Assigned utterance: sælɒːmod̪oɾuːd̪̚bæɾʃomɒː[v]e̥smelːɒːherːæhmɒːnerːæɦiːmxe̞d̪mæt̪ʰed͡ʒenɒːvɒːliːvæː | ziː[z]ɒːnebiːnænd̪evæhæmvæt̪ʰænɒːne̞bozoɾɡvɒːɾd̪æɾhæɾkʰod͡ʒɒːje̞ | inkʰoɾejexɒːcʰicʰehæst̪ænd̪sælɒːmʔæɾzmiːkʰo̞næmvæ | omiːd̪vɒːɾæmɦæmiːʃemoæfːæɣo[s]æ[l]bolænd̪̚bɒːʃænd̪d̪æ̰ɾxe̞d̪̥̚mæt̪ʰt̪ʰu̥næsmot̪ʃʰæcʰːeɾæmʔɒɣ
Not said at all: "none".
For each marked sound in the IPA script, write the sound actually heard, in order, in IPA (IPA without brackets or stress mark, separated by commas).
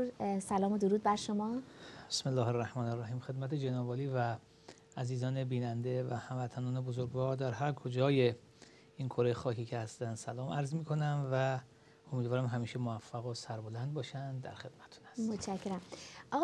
b, z, s, ɾ